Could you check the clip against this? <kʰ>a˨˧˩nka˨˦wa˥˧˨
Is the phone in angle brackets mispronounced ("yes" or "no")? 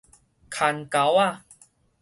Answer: no